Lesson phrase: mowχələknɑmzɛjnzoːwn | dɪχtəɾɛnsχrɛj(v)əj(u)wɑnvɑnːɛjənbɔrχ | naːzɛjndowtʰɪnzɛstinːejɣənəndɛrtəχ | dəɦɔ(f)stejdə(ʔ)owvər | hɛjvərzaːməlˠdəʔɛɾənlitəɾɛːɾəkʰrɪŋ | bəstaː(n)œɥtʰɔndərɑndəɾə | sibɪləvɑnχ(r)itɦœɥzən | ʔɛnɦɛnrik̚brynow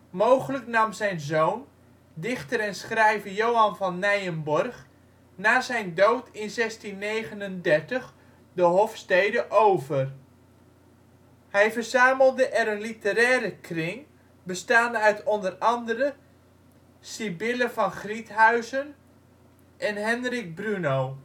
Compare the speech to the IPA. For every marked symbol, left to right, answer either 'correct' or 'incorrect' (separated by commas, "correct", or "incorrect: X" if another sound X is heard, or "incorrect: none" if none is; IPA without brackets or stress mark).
correct, incorrect: o, correct, correct, correct, correct